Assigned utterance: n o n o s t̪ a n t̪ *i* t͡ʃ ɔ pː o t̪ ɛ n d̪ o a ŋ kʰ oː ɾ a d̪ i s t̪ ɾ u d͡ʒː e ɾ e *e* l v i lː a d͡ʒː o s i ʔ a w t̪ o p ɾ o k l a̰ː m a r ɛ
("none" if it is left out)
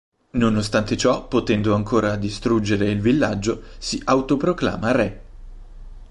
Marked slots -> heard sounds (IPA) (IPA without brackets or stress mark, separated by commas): e, i